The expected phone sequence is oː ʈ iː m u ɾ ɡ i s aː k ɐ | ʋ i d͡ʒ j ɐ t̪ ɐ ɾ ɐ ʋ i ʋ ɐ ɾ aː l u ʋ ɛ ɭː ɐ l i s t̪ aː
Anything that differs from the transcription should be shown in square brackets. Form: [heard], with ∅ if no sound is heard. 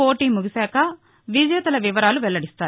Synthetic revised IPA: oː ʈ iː m u [∅] ɡ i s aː k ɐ | ʋ i d͡ʒ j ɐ t̪ ɐ [l] ɐ ʋ i ʋ ɐ ɾ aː l u ʋ ɛ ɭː ɐ [ɽ] i s t̪ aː